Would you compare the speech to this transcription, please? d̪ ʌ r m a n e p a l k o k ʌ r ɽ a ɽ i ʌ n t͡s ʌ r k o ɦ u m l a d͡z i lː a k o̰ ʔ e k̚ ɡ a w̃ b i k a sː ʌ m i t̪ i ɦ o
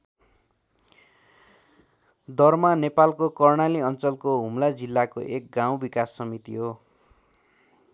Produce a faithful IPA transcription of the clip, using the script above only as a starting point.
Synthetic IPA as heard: d̪ ʌ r m a n e p a l k o k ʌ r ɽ a l i ʌ n t͡s ʌ l k o ɦ u m l a d͡z i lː a k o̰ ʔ e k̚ ɡ a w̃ b i k a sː ʌ m i t̪ i ɦ o

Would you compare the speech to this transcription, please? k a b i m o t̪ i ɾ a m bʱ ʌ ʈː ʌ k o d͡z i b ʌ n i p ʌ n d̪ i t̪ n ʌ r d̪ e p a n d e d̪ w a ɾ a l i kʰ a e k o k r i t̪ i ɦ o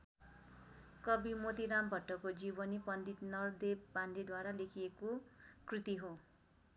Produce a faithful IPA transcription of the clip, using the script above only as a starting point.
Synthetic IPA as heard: k ʌ b i m o t̪ i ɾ a m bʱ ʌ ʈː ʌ k o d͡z i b ʌ n i p ʌ n d̪ i t̪ n ʌ r d̪ e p a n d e d̪ w a ɾ a l e kʰ i e k o k r i t̪ i ɦ o

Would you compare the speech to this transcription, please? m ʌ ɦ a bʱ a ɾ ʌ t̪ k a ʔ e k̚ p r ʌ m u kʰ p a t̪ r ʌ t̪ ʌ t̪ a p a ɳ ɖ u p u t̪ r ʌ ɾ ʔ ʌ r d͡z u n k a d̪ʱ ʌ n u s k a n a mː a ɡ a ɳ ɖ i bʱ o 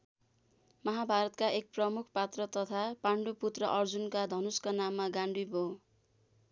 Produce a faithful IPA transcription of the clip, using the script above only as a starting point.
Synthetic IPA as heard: m ʌ ɦ a bʱ a ɾ ʌ t̪ k a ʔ e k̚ p r ʌ m u kʰ p a t̪ r ʌ t̪ ʌ t̪ʰ a p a ɳ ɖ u p u t̪ r ʌ ʔ ʌ r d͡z u n k a d̪ʱ ʌ n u s k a n a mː a ɡ a ɳ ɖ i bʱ o

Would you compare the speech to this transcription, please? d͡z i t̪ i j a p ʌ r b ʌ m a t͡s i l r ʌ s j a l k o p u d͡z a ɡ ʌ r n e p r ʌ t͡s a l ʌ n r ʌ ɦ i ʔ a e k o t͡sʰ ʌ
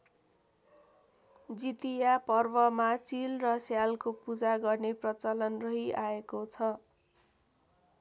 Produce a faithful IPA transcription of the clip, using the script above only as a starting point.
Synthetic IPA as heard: d͡z i t̪ i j a p ʌ r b ʌ m a t͡s i l r ʌ s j a l k o p u d͡z a ɡ ʌ r n e p r ʌ t͡s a l ʌ n r ʌ ɦ i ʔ a e k o t͡sʰ ʌ

